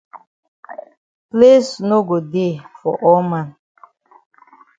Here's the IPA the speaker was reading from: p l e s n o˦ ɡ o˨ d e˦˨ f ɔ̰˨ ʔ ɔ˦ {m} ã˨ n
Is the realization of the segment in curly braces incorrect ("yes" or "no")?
no